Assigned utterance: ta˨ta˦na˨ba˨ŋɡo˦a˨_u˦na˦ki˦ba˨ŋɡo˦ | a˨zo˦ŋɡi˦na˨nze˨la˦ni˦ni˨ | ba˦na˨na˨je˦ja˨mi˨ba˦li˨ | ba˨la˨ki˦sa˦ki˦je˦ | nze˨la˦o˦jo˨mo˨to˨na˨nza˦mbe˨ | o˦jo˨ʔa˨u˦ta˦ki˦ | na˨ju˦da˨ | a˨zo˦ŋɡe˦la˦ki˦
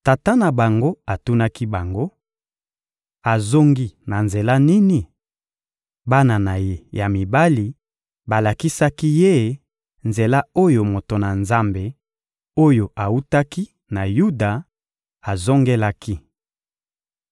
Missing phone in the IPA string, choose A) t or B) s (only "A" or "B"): A